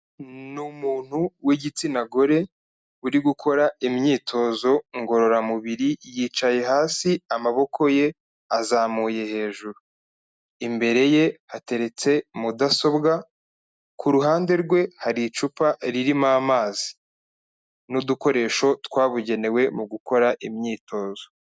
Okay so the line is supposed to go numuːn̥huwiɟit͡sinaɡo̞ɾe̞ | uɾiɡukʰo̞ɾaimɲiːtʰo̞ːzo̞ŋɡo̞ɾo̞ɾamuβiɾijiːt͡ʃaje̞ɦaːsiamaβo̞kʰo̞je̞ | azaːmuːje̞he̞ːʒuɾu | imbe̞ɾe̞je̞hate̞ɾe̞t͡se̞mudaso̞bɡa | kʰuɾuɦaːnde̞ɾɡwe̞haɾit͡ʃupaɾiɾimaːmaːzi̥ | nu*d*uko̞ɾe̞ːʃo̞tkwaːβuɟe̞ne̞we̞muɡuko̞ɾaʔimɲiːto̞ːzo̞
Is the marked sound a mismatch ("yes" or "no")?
no